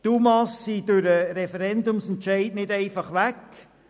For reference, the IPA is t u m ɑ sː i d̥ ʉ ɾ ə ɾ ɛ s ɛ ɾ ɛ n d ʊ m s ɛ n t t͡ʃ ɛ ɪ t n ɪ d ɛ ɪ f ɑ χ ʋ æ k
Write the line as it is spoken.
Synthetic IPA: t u m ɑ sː i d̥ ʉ ɾ ə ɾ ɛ f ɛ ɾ ɛ n d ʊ m s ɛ n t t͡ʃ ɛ ɪ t n ɪ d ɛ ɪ f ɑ χ ʋ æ k